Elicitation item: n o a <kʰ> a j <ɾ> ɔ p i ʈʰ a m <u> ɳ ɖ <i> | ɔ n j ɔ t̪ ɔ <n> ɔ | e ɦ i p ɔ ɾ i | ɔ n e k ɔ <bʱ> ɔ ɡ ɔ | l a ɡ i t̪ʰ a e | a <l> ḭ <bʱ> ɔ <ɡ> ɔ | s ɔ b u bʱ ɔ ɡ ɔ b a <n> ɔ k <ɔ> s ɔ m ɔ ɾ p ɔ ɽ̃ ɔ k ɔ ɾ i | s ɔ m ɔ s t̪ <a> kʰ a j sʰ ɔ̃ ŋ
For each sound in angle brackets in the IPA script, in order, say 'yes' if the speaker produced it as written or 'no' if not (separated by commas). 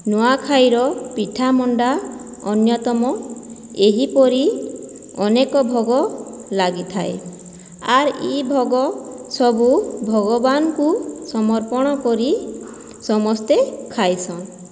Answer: yes, yes, no, no, no, yes, no, yes, yes, yes, no, no